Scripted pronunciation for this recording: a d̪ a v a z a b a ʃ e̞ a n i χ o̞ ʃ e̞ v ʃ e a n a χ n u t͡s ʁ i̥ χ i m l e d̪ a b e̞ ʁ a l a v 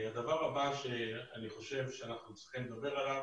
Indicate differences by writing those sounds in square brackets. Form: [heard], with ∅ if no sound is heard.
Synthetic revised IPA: a d̪ a v a [ʁ] a b a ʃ e̞ a n i χ o̞ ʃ e̞ v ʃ e a n a χ n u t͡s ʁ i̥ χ i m l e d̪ a b e̞ ʁ a l a v